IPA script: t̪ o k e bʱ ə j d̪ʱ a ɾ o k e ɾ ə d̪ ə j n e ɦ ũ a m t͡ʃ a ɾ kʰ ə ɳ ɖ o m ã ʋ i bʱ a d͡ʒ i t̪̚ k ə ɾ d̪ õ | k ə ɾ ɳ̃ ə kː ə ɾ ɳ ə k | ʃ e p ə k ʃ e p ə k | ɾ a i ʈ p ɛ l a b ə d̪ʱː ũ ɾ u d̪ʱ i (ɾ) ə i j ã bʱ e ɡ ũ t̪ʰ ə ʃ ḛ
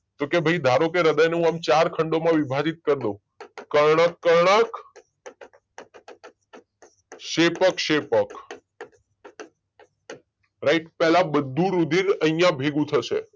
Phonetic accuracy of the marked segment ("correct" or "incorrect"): correct